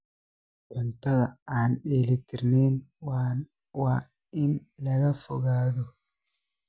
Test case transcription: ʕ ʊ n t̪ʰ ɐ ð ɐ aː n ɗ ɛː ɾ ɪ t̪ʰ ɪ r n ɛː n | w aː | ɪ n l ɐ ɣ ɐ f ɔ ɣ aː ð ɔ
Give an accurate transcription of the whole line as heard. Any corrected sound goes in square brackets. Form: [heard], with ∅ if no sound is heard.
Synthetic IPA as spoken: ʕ ʊ n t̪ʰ ɐ ð ɐ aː n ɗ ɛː [l] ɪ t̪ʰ ɪ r n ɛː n | w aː | ɪ n l ɐ ɣ ɐ f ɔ ɣ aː ð ɔ